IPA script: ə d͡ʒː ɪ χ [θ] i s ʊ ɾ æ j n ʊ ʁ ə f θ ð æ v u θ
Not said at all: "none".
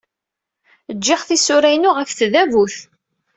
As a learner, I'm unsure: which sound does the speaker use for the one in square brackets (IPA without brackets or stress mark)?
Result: θ